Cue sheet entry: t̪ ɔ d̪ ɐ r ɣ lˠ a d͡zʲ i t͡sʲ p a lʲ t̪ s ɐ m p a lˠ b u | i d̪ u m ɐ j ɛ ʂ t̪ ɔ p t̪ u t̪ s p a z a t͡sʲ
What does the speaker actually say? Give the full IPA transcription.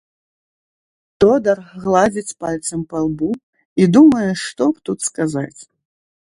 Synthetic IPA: t̪ ɔ d̪ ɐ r ɣ lˠ a d͡zʲ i t͡sʲ p a lʲ t̪ s ɐ m p a lˠ b u | i d̪ u m ɐ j ɛ ʂ t̪ ɔ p t̪ u t̪ s k a z a t͡sʲ